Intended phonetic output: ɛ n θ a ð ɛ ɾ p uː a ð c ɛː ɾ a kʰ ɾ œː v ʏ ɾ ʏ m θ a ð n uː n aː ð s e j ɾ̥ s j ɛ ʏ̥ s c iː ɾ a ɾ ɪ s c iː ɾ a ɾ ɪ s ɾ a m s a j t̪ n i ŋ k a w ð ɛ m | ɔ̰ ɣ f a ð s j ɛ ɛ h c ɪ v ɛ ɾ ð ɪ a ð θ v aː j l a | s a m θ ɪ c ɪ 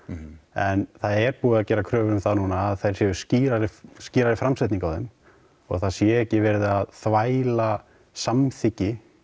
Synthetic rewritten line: ɛ n θ a ð ɛ ɾ p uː a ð c ɛː ɾ a kʰ ɾ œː v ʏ ɾ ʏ m θ a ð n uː n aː ð θ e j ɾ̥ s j ɛ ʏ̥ s c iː ɾ a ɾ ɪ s c iː ɾ a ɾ ɪ f ɾ a m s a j t̪ n i ŋ k a w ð ɛ m | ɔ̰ ɣ θ a ð s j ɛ ɛ h c ɪ v ɛ ɾ ð ɪ a ð θ v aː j l a | s a m θ ɪ c ɪ